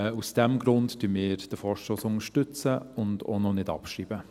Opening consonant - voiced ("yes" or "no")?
no